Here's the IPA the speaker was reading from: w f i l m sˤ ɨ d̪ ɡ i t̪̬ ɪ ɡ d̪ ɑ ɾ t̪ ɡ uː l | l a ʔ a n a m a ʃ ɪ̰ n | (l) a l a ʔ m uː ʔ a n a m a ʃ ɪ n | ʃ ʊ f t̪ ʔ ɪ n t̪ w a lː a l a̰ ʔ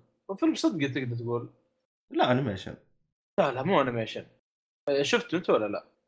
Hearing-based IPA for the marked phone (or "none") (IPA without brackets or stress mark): l